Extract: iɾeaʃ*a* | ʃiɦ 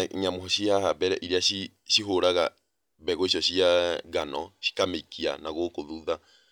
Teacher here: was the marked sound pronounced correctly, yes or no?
no